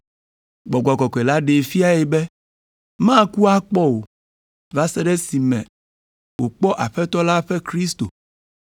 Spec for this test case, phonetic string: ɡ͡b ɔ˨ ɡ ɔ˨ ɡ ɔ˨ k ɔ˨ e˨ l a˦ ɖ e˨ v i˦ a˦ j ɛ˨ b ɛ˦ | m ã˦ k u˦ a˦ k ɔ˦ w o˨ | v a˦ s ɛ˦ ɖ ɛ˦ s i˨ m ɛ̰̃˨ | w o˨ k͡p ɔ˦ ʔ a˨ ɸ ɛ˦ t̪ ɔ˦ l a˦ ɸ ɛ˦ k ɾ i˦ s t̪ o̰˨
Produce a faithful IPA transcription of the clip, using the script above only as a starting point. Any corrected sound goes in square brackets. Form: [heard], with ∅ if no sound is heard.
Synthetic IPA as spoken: ɡ͡b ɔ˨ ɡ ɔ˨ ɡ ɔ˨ k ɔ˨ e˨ l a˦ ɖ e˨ [f] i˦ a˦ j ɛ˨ b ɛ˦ | m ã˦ k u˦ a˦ [k͡p] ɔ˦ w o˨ | v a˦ s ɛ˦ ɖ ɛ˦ s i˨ m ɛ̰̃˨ | w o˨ k͡p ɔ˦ ʔ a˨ ɸ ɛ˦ t̪ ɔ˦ l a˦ ɸ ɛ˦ k ɾ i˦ s t̪ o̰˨

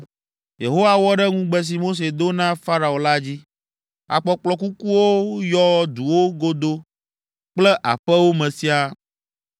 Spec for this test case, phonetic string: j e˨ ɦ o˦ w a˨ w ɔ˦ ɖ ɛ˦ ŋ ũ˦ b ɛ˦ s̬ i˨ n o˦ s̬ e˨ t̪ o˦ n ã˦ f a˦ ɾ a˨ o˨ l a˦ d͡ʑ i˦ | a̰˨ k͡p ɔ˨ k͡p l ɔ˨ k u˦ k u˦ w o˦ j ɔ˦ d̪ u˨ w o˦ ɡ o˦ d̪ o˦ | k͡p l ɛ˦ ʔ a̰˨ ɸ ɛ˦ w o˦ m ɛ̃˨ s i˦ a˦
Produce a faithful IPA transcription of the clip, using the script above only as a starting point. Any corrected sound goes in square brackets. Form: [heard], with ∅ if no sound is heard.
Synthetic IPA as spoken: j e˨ ɦ o˦ w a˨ w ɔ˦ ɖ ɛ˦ ŋ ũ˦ [ɡ͡b] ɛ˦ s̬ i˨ [m] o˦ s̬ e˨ [d̪] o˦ n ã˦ f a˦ ɾ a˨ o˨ l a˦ d͡ʑ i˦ | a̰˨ k͡p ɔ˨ k͡p l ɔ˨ k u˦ k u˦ w o˦ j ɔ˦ d̪ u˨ w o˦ ɡ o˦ d̪ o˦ | k͡p l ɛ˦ ʔ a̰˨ ɸ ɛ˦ w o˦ m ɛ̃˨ s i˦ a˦

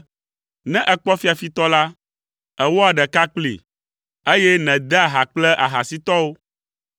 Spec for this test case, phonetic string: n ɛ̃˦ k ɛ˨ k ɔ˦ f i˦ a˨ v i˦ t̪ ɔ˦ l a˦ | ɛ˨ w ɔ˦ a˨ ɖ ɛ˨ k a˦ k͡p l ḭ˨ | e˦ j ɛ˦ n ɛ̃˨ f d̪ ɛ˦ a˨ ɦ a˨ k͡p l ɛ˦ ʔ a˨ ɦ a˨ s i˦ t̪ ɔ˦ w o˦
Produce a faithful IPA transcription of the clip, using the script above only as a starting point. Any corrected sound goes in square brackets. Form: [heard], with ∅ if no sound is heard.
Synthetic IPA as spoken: n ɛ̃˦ [ʔ] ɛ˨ [k͡p] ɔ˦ f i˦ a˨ [f] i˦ t̪ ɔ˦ l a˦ | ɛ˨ w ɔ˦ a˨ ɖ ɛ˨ k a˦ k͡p l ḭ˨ | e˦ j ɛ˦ n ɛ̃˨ [∅] d̪ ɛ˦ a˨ ɦ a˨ k͡p l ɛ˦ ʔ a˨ ɦ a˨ s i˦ t̪ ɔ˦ w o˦

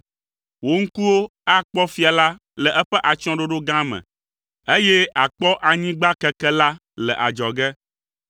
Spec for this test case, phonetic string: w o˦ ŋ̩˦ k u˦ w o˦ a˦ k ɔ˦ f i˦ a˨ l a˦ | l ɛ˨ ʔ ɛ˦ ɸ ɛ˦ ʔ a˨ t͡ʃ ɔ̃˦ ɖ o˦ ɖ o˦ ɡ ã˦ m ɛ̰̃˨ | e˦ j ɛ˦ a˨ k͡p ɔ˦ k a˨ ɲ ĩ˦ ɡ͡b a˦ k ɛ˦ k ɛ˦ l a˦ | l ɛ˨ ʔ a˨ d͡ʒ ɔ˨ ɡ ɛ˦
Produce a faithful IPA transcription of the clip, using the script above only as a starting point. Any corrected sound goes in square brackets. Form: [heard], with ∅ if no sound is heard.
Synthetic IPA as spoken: w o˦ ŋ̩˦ k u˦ w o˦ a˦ [k͡p] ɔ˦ f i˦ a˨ l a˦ | l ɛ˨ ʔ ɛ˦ ɸ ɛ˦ ʔ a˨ t͡ʃ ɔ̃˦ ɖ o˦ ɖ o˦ ɡ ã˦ m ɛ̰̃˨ | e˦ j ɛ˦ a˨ k͡p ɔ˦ [ʔ] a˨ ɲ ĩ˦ ɡ͡b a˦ k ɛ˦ k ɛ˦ l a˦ | l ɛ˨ ʔ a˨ d͡ʒ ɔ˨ ɡ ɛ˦

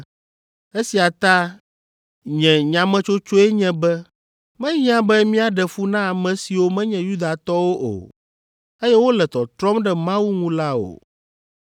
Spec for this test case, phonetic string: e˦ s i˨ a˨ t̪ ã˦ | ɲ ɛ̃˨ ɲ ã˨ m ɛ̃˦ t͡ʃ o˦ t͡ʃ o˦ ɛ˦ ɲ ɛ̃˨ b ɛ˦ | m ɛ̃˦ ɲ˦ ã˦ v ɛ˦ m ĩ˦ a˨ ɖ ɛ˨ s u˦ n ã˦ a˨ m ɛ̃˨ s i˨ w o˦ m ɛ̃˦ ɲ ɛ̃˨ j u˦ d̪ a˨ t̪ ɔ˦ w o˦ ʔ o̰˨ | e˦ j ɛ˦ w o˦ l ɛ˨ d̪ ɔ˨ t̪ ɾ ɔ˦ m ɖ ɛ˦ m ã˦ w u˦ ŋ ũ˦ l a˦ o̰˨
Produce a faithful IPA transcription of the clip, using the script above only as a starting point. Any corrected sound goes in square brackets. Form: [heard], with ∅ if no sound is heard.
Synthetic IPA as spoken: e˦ s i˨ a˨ t̪ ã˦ | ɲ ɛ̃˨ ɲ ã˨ m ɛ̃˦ t͡ʃ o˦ t͡ʃ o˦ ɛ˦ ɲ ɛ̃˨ b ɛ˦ | m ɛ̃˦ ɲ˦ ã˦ [b] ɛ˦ m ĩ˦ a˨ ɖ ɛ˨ [f] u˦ n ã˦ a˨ m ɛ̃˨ s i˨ w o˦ m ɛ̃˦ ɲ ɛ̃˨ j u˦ d̪ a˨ t̪ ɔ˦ w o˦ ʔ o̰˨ | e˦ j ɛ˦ w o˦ l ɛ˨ [t̪] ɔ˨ t̪ ɾ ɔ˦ m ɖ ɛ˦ m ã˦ w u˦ ŋ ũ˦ l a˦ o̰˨

